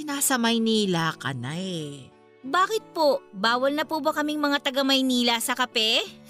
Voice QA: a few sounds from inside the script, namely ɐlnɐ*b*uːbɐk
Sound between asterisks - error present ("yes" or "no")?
yes